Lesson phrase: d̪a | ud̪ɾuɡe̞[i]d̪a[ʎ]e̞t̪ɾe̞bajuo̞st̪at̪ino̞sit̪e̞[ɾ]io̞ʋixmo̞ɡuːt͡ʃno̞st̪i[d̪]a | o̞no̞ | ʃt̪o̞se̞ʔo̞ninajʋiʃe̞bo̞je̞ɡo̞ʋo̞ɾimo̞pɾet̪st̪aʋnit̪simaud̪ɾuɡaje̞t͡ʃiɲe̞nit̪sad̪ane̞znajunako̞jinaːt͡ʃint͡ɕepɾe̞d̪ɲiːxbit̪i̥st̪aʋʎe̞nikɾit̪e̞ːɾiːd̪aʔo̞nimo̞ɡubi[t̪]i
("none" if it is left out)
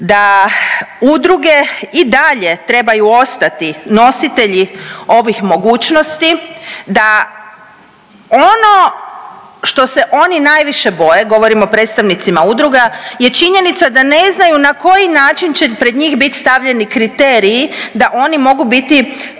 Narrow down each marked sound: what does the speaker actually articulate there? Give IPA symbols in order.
i, ʎ, ʎ, d̪, t̪

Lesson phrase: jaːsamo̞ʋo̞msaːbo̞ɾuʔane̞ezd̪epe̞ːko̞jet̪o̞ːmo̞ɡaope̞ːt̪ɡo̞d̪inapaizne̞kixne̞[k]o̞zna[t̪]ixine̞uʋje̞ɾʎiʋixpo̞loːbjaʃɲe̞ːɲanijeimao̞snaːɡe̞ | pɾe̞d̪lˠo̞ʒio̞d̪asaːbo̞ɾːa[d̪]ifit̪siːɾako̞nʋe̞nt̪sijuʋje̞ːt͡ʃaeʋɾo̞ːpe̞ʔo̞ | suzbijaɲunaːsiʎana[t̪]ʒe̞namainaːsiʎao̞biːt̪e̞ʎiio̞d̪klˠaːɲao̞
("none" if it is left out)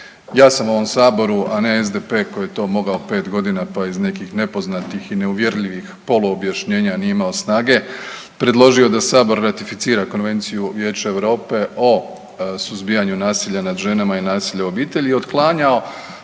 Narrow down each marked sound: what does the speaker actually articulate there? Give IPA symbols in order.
p, t̪, t̪, d̪

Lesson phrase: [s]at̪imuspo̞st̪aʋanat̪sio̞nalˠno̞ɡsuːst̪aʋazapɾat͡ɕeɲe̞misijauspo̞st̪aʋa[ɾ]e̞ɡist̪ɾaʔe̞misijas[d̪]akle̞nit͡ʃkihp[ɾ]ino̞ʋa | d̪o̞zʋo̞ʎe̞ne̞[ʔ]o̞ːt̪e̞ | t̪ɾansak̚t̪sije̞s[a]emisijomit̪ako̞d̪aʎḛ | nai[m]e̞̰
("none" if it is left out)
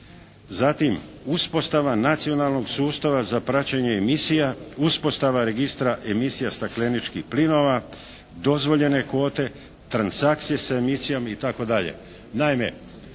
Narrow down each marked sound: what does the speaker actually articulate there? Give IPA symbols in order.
z, ɾ, t̪, l, k, a, m

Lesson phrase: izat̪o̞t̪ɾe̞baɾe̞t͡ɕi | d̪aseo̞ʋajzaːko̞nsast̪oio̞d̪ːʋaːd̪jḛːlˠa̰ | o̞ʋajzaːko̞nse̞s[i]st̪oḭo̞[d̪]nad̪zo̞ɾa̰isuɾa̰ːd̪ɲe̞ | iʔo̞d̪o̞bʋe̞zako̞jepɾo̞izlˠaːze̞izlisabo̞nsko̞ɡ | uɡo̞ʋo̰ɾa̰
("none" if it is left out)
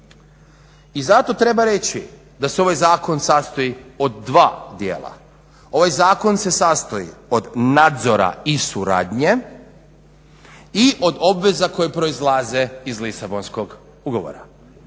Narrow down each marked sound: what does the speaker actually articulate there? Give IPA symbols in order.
a, d̪

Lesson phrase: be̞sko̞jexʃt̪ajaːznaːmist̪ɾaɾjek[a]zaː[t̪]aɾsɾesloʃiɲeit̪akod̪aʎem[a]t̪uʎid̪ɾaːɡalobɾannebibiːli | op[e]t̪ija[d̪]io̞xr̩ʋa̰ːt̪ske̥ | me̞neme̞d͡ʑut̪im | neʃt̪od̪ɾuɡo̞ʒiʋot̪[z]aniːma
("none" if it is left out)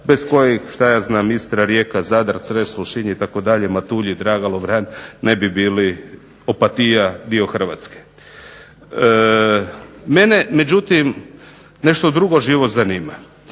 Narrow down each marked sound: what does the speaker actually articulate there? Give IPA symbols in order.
a, d̪, a, a, d̪, z

